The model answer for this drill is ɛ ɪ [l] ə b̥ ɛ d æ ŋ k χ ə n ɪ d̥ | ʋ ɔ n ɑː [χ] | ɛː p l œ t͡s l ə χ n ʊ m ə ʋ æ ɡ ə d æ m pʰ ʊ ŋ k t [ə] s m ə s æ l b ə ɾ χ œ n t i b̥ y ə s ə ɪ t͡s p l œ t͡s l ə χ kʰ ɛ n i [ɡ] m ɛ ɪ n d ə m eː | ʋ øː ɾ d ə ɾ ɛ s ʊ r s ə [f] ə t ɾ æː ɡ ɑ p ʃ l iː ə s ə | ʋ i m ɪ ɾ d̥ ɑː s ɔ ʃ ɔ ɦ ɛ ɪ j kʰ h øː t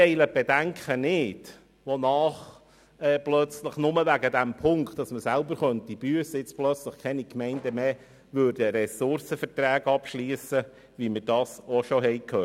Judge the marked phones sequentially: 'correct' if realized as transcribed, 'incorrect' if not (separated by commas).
correct, correct, incorrect, incorrect, correct